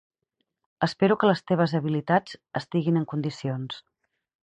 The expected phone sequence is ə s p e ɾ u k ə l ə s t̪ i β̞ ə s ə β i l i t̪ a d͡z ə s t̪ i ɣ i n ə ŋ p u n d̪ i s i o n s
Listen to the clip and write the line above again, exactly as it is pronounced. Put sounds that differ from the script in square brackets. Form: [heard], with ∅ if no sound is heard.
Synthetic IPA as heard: ə s p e ɾ u k ə l ə s t̪ [e] β̞ ə [z] ə β i l i t̪ a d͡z ə s t̪ i ɣ i n ə ŋ [k] u n d̪ i s i o n s